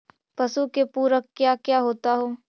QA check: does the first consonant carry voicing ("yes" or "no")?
no